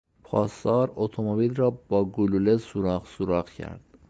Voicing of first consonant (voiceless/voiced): voiceless